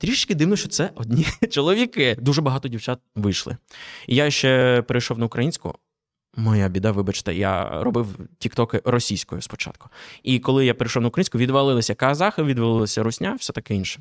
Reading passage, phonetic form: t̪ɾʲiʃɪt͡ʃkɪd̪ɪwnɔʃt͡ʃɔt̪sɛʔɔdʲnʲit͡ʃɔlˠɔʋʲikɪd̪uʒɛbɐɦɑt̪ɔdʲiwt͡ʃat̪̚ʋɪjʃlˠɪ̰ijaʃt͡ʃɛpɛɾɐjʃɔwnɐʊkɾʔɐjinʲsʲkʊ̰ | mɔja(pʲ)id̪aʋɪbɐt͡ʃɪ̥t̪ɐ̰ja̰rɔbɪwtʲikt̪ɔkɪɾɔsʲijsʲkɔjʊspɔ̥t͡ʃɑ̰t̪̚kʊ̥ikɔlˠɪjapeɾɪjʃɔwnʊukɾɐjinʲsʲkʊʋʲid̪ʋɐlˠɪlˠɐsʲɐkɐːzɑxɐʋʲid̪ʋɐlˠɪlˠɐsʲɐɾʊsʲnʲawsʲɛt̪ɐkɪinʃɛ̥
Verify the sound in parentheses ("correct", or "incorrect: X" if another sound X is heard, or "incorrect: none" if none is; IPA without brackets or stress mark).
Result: incorrect: bʲ